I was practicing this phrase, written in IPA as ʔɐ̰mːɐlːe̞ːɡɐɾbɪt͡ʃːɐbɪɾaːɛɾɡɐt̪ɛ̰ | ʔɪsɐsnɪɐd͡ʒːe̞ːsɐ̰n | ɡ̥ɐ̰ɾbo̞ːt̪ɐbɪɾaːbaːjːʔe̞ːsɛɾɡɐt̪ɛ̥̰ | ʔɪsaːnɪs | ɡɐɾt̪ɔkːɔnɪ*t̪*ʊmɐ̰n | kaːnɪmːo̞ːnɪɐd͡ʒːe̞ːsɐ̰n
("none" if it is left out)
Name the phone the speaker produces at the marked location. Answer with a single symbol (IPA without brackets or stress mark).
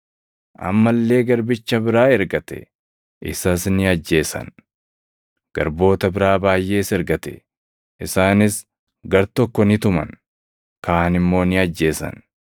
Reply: t̪